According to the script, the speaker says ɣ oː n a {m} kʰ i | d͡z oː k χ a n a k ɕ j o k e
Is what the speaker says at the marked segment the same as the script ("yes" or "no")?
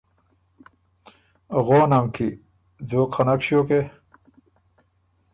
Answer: yes